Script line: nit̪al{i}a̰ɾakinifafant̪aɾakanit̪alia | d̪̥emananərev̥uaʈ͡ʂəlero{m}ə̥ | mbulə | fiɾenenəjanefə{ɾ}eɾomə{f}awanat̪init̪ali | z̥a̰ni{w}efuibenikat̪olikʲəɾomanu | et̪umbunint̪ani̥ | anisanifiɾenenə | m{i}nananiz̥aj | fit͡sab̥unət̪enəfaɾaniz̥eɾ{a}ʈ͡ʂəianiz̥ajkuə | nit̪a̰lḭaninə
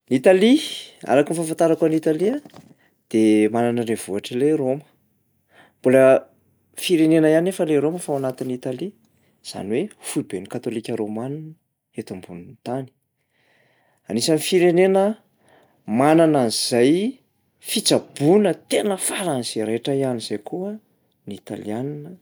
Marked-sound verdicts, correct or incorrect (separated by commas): correct, correct, incorrect, correct, correct, incorrect, incorrect